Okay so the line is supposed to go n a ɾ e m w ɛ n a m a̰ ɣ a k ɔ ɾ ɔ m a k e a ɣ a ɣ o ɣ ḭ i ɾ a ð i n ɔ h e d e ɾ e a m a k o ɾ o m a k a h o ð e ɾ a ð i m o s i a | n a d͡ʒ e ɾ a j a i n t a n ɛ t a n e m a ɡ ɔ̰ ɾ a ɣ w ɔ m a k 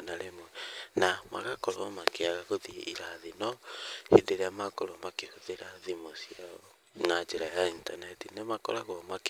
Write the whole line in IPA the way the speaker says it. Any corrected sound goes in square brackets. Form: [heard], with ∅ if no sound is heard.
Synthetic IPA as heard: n a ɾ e m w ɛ n a m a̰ ɣ a k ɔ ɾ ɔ m a k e a ɣ a ɣ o [ð] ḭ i ɾ a ð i n ɔ h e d e ɾ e a m a k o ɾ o m a k [e] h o ð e ɾ a ð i m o s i a | n a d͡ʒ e ɾ a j a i n t a n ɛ t [i] n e m a [k] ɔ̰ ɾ a ɣ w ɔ m a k